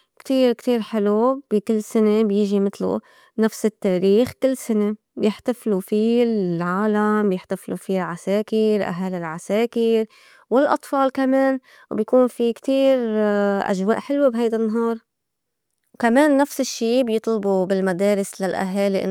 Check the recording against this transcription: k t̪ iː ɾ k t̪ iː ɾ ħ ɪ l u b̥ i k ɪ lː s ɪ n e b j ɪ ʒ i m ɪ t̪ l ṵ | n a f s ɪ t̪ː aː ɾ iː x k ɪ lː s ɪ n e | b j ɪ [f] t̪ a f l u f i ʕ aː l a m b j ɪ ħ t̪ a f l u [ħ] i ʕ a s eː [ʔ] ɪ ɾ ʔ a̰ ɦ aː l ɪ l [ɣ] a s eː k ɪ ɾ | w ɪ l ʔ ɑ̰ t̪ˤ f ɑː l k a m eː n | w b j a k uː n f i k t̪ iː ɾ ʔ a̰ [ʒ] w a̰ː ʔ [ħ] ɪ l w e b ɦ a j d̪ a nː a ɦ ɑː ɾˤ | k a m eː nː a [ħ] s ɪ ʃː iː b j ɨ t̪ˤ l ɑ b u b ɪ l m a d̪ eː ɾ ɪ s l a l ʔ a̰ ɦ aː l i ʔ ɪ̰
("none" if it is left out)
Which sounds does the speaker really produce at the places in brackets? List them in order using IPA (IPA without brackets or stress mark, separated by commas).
ħ, f, k, ʕ, ʒ, ħ, f